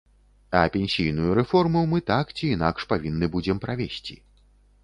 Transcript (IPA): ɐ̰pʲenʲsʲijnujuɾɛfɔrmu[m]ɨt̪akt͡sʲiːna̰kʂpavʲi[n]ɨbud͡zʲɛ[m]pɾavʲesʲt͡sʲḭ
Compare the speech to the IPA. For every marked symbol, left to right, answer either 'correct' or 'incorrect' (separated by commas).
correct, incorrect, correct